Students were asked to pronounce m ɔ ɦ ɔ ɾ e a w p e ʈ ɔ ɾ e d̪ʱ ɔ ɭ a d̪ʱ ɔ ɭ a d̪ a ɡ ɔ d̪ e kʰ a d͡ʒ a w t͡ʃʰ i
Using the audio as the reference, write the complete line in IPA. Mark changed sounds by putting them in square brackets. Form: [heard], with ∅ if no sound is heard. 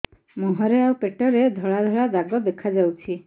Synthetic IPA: m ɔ ɦ ɔ ɾ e a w p e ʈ ɔ ɾ e d̪ʱ ɔ ɭ a d̪ʱ ɔ ɭ a d̪ a ɡ ɔ d̪ e kʰ a d͡ʒ a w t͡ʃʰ i